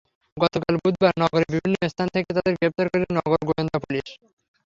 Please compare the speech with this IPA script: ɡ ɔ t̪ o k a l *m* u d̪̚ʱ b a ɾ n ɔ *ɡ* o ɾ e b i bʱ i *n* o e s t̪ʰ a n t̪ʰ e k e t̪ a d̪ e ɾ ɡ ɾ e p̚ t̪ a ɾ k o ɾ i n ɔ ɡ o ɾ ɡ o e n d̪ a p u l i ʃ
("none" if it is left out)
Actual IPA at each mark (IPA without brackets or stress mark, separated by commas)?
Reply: b, ɡ, nː